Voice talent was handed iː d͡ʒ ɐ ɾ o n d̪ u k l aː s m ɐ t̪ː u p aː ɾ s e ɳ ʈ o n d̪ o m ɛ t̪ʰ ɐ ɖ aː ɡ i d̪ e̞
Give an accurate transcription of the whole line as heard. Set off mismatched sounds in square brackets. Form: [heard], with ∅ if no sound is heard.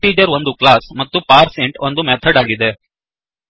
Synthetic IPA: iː d͡ʒ ɐ ɾ o n d̪ u k l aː s m ɐ t̪ː u p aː ɾ s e ɳ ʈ o n d̪ [u] m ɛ t̪ʰ ɐ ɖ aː ɡ i d̪ e̞